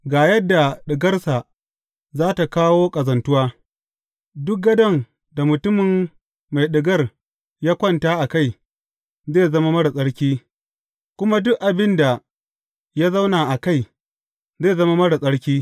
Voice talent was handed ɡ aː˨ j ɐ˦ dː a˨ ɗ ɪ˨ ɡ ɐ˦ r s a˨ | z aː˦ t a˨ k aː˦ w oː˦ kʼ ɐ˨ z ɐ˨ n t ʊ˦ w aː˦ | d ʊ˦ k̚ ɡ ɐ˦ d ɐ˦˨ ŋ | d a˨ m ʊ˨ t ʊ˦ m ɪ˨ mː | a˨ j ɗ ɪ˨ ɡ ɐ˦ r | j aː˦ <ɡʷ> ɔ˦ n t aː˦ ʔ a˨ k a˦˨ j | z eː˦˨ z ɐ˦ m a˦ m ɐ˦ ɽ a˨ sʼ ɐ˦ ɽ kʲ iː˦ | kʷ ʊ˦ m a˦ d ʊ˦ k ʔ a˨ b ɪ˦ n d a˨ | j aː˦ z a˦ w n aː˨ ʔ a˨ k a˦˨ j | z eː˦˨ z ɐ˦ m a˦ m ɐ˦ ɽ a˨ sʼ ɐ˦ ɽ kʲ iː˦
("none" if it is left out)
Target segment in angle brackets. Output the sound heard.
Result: kʷ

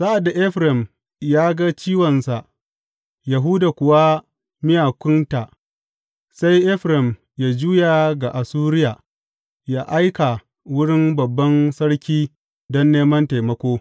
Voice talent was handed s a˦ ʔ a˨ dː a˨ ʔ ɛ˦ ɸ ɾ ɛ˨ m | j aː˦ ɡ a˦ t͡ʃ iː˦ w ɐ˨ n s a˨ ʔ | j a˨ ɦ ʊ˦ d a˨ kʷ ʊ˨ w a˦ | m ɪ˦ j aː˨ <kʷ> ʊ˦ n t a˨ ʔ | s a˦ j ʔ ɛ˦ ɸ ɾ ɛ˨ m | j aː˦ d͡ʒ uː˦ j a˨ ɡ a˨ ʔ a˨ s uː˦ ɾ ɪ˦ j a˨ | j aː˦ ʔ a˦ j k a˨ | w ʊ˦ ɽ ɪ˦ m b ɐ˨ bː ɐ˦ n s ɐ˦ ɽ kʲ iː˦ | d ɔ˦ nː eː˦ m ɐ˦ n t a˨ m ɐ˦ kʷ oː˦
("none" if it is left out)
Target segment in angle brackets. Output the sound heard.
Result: kʷ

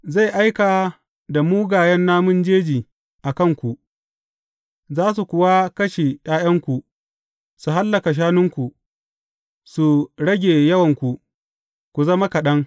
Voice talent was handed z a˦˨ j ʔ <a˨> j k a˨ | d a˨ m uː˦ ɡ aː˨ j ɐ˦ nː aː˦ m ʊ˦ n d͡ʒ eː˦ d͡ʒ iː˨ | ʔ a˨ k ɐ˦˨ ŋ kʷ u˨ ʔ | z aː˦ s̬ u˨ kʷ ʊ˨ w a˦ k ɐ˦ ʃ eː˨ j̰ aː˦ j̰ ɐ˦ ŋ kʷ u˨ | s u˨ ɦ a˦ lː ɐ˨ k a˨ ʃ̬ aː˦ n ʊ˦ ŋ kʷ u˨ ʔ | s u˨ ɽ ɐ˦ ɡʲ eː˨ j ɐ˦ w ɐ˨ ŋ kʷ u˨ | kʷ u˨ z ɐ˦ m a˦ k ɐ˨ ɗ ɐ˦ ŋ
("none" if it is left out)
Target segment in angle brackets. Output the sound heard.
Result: a˦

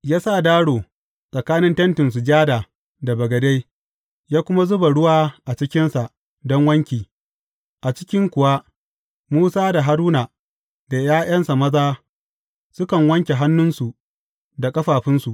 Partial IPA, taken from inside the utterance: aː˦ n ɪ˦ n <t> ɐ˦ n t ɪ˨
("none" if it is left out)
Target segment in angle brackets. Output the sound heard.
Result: t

